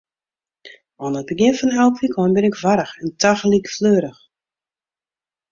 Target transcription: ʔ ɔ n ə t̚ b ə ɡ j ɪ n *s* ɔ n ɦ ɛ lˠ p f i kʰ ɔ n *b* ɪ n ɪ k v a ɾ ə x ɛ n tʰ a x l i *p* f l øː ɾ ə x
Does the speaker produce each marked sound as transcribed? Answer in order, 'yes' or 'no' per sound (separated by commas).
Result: no, yes, no